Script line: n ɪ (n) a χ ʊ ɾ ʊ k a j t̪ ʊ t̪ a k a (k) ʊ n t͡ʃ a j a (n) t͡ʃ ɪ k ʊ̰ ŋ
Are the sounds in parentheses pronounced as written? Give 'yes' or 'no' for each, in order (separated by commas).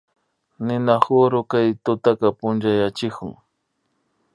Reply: yes, no, no